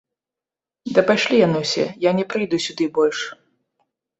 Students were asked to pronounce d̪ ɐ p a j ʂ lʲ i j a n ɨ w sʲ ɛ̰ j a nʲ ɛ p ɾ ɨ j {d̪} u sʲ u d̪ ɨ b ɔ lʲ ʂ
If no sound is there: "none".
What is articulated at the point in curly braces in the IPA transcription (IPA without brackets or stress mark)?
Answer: d̪